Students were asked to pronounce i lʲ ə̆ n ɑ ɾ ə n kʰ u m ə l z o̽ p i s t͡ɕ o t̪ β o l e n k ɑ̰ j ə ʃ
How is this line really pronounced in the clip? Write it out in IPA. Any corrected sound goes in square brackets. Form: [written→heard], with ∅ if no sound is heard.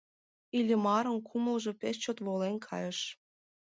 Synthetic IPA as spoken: i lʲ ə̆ [n→m] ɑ ɾ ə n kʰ u m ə l [z→ʒ] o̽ p [i→e] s t͡ɕ o t̪ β o l e n [k→kʰ] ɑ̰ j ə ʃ